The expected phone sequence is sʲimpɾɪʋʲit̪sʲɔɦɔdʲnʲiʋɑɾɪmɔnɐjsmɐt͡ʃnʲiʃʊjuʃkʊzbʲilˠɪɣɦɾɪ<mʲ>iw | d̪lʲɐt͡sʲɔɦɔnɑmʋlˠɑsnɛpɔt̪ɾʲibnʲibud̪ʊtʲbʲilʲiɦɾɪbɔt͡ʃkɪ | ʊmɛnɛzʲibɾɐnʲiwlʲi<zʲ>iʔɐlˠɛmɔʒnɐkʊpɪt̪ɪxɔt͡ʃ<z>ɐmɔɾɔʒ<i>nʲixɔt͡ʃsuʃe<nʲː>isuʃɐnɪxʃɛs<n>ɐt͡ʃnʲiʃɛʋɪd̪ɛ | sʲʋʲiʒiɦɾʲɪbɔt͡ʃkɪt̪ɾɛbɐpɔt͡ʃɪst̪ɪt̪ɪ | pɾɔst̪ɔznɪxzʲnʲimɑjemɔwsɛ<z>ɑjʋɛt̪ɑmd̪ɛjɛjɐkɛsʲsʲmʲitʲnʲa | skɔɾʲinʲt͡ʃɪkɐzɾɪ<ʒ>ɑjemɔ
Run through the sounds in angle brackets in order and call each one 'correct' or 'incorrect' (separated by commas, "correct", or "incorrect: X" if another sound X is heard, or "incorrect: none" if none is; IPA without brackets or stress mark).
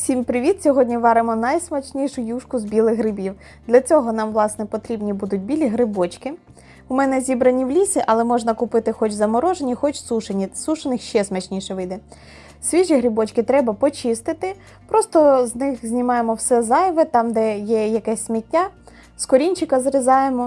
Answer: incorrect: bʲ, incorrect: sʲ, correct, incorrect: e, incorrect: nʲ, incorrect: m, correct, incorrect: z